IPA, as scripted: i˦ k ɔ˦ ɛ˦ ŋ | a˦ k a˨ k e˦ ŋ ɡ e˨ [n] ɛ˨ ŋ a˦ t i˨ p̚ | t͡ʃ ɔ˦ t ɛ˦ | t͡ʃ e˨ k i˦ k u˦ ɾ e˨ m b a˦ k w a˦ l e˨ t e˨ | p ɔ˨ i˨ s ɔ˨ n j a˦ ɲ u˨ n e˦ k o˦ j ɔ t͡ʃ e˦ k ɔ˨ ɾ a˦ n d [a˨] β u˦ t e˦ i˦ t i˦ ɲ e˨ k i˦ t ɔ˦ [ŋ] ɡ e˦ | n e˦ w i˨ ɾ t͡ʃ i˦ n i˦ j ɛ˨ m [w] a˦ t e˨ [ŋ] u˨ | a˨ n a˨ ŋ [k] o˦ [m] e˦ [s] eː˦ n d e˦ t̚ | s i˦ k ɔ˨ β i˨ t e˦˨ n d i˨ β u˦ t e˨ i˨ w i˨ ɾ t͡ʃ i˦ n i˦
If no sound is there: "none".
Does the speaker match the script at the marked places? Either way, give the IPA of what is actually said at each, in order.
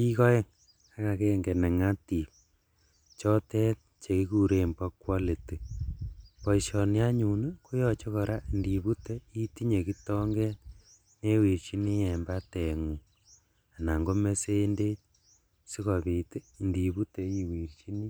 n, i˨, ŋ, b, ŋ, ɡ, m, s

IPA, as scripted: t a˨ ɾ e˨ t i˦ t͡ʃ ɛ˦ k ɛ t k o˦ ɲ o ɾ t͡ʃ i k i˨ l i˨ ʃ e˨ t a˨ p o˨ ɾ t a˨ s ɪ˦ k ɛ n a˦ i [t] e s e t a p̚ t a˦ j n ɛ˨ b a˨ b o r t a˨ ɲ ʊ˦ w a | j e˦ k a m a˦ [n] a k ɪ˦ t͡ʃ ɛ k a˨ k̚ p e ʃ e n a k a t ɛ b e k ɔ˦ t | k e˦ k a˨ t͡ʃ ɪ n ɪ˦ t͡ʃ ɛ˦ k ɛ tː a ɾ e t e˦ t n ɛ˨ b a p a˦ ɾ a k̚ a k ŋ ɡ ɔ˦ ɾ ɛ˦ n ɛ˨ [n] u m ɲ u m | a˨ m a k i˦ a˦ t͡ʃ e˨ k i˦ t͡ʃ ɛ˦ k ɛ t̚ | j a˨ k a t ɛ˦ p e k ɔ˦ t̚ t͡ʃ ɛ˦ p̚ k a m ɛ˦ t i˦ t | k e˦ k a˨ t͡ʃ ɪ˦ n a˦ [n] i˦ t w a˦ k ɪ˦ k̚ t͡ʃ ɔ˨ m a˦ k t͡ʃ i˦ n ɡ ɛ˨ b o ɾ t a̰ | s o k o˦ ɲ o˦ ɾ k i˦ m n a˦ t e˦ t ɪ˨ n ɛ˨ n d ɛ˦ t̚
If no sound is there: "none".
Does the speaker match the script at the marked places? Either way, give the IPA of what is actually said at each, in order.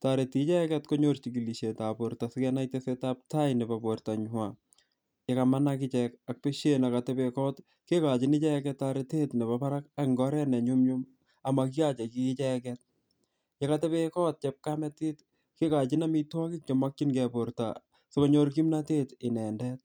t, n, ɲ, m

